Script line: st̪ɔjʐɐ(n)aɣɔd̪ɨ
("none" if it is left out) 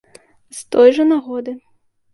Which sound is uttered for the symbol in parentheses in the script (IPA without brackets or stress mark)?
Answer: n